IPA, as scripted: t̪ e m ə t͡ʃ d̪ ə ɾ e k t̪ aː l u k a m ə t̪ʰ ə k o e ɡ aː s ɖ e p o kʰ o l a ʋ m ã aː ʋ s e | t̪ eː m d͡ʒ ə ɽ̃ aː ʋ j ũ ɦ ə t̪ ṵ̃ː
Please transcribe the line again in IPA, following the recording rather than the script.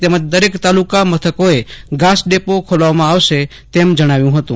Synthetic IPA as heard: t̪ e m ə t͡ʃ d̪ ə ɾ e k t̪ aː l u k a m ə t̪ʰ ə k o e ɡ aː s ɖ e p o kʰ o l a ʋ m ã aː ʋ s e | t̪ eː m d͡ʒ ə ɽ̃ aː ʋ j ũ ɦ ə t̪ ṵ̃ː

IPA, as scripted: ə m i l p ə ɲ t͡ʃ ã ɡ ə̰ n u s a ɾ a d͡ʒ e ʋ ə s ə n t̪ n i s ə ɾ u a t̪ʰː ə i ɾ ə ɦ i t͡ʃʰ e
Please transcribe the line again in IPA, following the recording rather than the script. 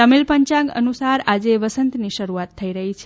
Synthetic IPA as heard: ə m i l p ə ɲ t͡ʃ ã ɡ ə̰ n u s a ɾ a d͡ʒ e ʋ ə s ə n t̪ n i ʃ ə ɾ u a t̪ʰː ə i ɾ ə ɦ i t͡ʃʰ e

